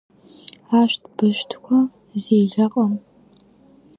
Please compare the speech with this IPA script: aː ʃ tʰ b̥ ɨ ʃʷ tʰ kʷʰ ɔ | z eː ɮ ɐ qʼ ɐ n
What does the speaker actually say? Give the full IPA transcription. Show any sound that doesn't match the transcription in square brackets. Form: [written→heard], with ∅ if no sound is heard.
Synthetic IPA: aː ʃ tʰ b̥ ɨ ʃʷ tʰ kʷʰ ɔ | z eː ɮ ɐ qʼ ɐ [n→m]